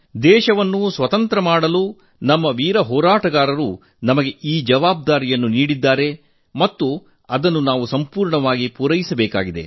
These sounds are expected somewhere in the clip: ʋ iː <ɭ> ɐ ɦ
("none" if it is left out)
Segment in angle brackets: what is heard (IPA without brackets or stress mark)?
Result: ɾ